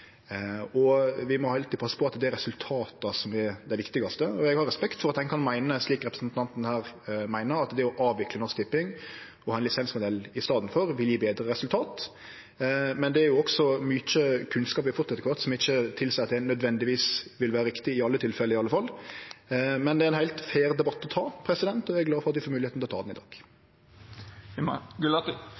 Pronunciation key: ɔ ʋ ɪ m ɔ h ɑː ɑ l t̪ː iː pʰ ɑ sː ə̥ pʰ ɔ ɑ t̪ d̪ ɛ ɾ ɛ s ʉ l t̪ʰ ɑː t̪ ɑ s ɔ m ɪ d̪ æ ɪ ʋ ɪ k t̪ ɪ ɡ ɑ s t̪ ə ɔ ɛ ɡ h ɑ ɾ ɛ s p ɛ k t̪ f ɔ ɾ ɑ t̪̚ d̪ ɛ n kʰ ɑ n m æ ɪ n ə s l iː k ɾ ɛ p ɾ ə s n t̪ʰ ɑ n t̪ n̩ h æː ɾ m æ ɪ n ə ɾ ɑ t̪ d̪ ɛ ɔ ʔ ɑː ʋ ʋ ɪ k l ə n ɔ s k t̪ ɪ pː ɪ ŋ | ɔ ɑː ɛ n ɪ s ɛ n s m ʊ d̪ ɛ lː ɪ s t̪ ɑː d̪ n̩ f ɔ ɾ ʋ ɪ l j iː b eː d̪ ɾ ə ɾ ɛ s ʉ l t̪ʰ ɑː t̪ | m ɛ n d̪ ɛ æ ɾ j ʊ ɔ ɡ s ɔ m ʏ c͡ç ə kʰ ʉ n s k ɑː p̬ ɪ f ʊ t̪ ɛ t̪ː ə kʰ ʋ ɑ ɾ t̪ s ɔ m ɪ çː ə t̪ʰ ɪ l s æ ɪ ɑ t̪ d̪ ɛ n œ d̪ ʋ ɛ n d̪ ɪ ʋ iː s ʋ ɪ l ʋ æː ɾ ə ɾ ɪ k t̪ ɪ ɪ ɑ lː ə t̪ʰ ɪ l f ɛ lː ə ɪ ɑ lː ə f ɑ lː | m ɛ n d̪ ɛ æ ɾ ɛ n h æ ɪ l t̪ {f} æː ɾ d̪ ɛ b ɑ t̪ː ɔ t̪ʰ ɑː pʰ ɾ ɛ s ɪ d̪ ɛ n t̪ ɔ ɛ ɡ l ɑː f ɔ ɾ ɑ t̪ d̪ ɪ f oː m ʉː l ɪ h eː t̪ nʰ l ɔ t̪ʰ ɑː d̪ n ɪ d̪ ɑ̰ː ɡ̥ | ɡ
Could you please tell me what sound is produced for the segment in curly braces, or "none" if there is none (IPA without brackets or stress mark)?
f